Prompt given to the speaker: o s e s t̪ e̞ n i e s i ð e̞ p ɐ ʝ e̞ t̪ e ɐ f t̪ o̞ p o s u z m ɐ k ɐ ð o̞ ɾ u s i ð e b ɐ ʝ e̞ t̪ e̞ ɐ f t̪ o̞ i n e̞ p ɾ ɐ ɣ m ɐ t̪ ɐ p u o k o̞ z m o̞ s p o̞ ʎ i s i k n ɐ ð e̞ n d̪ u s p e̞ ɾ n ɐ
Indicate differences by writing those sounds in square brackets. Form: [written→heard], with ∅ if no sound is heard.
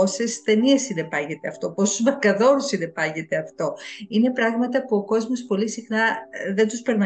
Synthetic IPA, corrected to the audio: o s e s t̪ e̞ n i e s i ð e̞ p ɐ ʝ e̞ t̪ e ɐ f t̪ o̞ p o s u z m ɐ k ɐ ð o̞ ɾ u s i ð e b ɐ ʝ e̞ t̪ e̞ ɐ f t̪ o̞ i n e̞ p ɾ ɐ ɣ m ɐ t̪ ɐ p u o k o̞ z m o̞ s p o̞ [ʎ→l] i s i [k→x] n ɐ ð e̞ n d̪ u s p e̞ ɾ n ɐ